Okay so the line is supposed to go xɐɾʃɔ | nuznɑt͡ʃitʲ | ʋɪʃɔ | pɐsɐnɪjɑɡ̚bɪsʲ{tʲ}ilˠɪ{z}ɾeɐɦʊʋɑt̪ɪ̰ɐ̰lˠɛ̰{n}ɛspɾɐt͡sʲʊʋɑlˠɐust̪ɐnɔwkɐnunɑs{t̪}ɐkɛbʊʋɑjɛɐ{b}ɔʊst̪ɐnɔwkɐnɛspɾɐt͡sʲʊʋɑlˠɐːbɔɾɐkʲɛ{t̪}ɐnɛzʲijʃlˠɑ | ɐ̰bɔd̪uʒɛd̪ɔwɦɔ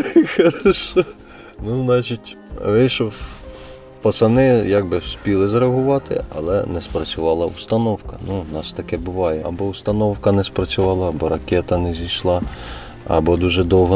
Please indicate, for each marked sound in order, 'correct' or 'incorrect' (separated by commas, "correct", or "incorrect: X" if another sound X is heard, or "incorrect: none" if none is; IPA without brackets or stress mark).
incorrect: pʲ, correct, correct, correct, correct, correct